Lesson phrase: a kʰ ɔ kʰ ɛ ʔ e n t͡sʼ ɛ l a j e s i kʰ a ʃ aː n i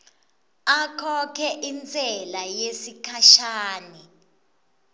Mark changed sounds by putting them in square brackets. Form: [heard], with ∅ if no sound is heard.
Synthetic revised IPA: a kʰ ɔ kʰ ɛ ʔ [i] n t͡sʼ ɛ l a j e s i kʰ a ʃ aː n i